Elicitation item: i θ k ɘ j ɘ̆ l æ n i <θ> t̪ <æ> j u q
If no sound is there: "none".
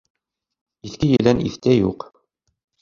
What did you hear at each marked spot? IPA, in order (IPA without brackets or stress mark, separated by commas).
θ, æ